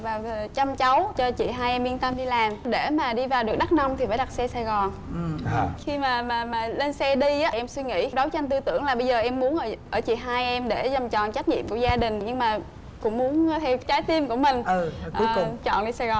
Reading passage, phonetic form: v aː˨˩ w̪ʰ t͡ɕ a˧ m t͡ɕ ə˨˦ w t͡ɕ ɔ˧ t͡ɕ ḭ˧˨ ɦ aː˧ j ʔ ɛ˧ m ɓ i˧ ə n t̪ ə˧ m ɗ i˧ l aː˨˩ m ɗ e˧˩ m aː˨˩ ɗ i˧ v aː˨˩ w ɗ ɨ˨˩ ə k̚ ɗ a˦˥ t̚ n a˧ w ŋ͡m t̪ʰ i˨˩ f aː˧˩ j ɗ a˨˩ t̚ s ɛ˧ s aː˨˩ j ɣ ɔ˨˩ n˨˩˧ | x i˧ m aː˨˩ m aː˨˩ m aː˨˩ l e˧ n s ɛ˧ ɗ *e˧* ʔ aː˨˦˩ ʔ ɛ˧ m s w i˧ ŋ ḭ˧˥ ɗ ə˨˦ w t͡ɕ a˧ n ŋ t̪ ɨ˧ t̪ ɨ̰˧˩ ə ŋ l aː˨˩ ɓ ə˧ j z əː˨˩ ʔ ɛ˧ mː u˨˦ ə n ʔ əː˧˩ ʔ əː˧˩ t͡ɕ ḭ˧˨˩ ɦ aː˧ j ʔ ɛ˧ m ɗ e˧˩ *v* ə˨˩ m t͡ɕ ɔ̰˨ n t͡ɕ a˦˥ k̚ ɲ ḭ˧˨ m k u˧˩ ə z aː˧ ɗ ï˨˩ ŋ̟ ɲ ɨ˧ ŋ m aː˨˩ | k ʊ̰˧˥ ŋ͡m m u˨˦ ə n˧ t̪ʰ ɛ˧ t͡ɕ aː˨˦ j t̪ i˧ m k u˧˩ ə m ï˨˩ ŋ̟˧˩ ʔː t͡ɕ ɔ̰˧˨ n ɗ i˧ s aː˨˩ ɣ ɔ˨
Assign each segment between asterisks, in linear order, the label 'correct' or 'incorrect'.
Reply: incorrect: i˧, incorrect: z

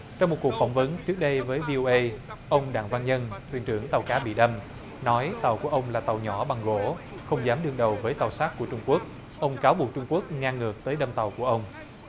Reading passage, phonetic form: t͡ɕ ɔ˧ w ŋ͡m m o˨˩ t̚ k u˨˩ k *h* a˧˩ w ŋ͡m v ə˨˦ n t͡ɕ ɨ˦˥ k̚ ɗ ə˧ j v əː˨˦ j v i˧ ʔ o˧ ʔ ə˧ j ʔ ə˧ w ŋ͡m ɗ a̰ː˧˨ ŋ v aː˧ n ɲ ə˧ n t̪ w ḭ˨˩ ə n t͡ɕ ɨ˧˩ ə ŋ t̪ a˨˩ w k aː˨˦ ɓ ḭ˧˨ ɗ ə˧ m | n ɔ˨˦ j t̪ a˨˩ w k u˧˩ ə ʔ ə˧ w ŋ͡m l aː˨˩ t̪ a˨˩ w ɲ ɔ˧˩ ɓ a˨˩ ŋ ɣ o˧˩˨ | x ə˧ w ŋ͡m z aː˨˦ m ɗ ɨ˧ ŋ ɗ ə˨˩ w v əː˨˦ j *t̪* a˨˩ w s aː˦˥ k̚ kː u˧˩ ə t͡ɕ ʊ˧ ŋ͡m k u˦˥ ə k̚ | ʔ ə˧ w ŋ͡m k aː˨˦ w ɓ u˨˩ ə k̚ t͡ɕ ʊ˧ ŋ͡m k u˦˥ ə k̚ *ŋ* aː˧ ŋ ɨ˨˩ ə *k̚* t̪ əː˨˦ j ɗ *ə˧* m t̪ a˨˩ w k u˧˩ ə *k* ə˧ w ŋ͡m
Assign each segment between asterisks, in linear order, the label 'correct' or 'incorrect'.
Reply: incorrect: f, correct, correct, correct, correct, incorrect: ʔ

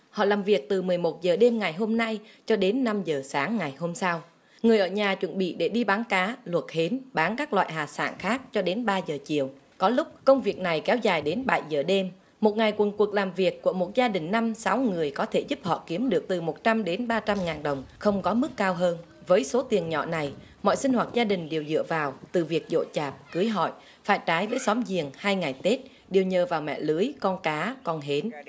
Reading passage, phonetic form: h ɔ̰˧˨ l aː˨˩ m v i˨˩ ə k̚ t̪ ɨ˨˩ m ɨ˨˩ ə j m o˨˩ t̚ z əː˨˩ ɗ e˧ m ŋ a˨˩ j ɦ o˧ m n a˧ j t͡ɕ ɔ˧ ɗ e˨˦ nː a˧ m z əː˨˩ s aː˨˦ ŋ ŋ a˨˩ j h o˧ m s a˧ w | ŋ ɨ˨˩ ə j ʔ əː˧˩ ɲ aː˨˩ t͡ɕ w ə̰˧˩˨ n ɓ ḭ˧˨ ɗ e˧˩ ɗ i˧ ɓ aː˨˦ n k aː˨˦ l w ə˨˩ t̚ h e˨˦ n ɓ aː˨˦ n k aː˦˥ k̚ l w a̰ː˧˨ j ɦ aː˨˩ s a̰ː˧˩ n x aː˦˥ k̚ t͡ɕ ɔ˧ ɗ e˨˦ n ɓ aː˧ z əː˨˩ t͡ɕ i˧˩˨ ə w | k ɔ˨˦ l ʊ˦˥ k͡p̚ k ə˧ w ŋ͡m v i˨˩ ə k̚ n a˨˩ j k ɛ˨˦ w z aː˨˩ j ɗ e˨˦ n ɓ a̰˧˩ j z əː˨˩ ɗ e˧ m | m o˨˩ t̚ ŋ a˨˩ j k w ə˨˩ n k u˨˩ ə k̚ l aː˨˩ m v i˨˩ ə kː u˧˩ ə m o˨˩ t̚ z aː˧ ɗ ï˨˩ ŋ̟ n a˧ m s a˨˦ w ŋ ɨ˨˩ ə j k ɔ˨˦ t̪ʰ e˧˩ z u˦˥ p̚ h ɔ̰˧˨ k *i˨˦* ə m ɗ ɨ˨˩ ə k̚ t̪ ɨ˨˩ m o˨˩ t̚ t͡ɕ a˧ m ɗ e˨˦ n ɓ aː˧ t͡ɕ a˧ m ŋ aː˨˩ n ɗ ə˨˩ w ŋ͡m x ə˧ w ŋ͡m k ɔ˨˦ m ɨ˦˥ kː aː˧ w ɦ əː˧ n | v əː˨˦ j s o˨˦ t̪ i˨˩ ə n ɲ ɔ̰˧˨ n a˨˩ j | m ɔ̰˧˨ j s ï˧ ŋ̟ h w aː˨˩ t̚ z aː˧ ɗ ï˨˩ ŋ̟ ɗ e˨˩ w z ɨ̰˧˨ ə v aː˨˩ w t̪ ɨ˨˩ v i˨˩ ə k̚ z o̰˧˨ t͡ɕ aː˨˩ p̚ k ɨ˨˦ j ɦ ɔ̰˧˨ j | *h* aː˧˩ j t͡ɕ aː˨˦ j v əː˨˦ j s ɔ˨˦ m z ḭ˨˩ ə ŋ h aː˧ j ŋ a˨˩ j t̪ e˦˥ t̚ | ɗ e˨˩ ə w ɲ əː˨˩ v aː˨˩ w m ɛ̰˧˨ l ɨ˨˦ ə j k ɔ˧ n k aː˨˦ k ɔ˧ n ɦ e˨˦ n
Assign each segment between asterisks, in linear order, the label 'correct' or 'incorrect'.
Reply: correct, incorrect: f

